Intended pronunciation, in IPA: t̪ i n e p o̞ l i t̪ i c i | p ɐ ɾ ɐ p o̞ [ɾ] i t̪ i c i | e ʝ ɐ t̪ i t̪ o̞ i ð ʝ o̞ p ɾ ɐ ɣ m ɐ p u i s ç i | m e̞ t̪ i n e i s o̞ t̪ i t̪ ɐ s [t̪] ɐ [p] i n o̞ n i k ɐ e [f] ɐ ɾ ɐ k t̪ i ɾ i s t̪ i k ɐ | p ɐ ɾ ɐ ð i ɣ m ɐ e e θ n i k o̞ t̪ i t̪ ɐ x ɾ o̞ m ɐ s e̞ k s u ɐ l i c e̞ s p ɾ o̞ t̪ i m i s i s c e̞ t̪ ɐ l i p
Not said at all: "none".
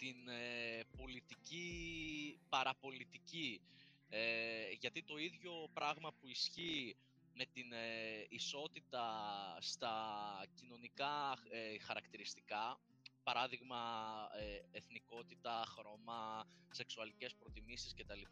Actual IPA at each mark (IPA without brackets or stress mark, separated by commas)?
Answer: l, t̪, c, x